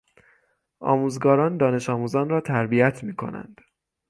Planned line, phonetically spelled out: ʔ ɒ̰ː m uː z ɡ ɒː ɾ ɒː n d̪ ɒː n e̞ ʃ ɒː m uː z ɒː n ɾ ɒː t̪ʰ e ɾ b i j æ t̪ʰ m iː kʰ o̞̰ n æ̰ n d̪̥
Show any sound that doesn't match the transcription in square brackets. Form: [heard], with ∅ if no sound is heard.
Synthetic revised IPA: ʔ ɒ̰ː m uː z ɡ ɒː ɾ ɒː n d̪ ɒː n e̞ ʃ ɒː m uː z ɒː n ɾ ɒː t̪ʰ [æ] ɾ b i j æ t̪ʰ m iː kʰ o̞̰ n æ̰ n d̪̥